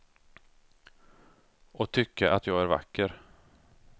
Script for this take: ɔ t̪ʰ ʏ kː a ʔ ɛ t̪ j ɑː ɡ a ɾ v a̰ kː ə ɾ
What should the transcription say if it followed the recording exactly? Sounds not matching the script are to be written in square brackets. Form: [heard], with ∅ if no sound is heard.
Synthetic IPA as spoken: ɔ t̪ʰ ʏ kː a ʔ [a] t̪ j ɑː ɡ [æ] ɾ v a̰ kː ə ɾ